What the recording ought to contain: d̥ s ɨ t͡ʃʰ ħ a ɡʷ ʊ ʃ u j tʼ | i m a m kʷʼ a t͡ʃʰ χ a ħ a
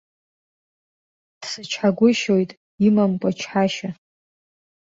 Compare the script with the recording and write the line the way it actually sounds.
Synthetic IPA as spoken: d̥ s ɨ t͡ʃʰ ħ a ɡʷ ʊ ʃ o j tʼ | i m a m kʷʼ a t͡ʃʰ ħ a ʃ a